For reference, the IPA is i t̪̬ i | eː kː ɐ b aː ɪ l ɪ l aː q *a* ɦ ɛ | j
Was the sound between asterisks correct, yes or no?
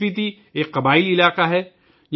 yes